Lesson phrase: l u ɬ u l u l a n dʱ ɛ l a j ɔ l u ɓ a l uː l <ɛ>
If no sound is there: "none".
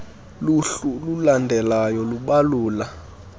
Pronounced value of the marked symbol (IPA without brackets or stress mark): a